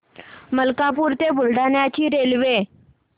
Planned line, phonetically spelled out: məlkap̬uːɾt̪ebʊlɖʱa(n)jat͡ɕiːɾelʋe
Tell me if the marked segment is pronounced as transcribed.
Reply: yes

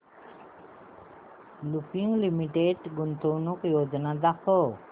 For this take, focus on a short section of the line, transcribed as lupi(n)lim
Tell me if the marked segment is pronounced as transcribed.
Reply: no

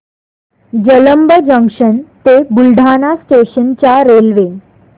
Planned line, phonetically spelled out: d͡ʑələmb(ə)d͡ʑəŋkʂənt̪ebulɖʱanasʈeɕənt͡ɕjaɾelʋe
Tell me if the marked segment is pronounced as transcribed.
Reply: yes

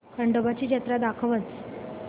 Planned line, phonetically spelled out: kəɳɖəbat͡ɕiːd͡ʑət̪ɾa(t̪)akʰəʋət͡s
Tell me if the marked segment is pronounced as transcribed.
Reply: no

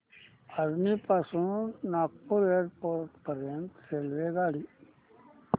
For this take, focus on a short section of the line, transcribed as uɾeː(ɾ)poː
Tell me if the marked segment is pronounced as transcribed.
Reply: yes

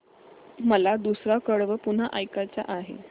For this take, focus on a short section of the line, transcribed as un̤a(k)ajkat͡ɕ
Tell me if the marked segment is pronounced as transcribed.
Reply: no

